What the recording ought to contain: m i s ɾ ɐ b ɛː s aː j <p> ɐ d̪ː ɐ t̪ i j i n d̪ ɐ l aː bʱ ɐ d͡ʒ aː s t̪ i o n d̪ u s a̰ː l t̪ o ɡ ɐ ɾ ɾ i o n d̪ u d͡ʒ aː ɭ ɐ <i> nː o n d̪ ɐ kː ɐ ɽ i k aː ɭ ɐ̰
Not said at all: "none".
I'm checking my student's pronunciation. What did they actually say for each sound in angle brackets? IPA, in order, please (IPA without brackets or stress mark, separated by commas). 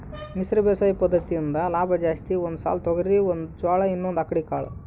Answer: p, i